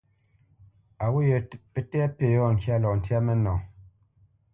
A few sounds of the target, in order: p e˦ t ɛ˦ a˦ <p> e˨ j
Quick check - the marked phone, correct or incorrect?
correct